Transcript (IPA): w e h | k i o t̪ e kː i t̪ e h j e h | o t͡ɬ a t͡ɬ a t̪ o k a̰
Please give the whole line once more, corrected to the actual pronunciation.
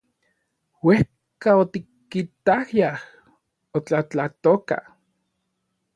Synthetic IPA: w e h | k a o t̪ i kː i t̪ a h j a h | o t͡ɬ a t͡ɬ a t̪ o k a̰